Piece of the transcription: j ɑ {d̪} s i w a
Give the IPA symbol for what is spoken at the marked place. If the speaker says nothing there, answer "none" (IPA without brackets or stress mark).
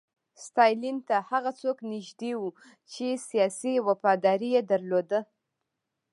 none